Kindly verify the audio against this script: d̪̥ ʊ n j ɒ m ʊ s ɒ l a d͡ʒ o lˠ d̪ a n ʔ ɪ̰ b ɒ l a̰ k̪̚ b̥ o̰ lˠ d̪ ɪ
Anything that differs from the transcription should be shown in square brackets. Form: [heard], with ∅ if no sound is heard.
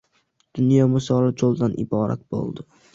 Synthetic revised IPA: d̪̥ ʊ n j ɒ m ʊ s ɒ l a d͡ʒ o lˠ d̪ a n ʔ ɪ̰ b ɒ [ɾ] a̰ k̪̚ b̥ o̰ lˠ d̪ ɪ